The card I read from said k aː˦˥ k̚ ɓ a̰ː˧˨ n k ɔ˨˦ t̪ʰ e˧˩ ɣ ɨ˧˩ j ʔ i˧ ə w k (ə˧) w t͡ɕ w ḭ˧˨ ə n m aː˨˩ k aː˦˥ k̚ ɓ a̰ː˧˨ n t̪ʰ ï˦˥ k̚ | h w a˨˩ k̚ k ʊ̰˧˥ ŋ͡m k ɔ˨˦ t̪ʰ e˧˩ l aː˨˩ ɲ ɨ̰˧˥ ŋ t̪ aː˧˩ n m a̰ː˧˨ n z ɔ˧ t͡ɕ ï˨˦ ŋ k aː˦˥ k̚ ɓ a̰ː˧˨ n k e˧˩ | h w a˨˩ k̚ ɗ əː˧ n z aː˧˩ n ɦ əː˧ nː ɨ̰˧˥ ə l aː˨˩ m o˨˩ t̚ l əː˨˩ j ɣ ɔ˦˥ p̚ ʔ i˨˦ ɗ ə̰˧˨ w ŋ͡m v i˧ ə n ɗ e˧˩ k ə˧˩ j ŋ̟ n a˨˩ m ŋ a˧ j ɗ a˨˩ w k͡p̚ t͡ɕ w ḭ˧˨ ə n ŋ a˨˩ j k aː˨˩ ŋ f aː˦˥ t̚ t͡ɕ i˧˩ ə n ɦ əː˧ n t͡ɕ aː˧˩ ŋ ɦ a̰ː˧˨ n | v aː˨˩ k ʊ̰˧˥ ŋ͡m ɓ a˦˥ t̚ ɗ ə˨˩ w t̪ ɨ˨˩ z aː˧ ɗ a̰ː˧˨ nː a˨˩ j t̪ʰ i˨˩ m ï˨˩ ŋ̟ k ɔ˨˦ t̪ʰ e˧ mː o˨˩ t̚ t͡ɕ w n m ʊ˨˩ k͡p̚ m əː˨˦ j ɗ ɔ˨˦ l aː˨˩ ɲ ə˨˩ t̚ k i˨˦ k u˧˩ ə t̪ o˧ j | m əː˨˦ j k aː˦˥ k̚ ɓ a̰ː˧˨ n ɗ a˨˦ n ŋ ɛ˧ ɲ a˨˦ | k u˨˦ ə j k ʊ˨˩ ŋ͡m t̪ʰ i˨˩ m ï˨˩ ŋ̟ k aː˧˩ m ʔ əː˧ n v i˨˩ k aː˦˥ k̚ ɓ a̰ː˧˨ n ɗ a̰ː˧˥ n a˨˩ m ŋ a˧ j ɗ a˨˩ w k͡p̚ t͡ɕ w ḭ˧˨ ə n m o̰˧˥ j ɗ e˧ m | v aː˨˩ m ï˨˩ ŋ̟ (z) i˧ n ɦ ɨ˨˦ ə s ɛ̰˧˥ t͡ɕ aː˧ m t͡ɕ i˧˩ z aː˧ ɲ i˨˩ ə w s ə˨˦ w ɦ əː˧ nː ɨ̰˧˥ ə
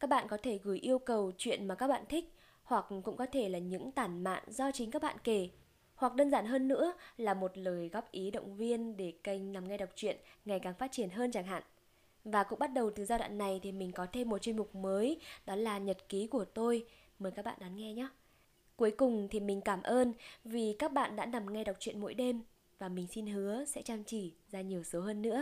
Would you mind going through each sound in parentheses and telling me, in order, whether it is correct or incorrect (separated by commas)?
incorrect, incorrect